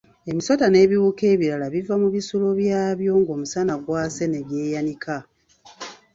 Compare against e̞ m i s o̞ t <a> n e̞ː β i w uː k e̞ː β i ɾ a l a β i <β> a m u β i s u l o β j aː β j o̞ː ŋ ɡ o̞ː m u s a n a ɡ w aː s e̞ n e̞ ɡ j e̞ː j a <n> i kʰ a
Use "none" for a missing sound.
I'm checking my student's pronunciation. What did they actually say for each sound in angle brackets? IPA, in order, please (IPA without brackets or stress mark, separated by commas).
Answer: a, v, n